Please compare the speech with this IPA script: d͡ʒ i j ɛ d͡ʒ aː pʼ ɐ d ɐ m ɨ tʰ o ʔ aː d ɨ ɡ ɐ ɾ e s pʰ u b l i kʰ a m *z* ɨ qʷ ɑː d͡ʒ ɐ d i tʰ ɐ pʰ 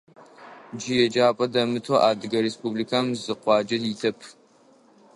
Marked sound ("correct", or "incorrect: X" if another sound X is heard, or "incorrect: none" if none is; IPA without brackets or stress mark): correct